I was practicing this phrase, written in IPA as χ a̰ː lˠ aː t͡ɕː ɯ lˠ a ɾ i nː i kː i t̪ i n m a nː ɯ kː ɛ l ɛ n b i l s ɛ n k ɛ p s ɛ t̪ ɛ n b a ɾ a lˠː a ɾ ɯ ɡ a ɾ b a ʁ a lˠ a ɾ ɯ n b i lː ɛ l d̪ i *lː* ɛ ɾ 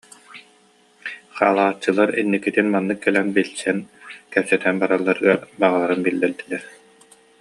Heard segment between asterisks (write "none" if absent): l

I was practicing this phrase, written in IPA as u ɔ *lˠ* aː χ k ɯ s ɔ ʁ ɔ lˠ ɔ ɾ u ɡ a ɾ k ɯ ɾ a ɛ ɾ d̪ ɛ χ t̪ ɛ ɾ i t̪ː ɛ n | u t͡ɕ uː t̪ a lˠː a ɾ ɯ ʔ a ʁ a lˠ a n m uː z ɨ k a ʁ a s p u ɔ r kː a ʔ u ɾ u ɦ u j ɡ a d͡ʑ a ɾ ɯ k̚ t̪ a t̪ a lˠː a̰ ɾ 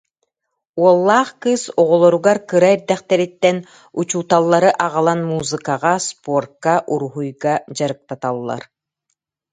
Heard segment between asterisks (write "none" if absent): lˠː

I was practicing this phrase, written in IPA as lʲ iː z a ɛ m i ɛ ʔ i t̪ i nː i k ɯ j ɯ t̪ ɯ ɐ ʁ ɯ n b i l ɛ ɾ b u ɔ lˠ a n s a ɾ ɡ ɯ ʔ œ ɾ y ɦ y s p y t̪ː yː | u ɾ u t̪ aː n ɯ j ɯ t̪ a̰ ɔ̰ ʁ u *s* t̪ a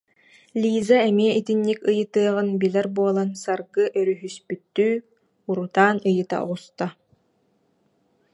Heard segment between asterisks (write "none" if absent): s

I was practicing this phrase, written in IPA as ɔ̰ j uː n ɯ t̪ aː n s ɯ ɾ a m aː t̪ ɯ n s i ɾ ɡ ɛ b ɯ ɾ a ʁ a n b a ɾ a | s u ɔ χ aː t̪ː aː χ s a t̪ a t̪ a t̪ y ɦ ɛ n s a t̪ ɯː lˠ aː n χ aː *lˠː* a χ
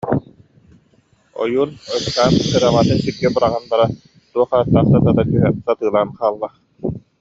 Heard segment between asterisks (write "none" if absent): lˠː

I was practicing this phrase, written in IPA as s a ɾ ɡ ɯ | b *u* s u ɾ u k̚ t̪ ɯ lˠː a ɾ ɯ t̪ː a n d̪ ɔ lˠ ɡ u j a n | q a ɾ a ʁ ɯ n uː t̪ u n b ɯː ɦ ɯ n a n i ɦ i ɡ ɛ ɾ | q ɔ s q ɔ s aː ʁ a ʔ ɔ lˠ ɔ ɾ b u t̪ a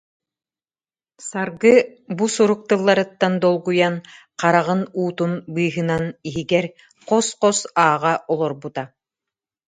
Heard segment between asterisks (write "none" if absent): u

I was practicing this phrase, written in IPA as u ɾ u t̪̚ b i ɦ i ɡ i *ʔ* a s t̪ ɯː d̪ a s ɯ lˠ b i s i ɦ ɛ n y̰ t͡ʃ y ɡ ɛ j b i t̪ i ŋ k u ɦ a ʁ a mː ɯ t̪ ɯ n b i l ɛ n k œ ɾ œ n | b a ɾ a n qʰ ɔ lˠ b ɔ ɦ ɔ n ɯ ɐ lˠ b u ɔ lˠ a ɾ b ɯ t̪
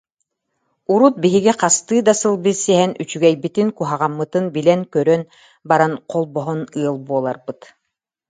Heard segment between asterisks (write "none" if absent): q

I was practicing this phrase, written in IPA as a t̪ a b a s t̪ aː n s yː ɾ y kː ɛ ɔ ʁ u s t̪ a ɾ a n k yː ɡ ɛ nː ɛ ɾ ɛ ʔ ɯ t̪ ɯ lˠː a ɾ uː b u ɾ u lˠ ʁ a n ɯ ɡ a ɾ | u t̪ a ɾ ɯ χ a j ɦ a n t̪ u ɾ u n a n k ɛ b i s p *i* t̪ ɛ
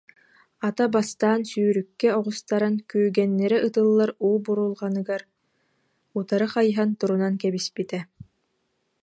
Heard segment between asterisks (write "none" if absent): i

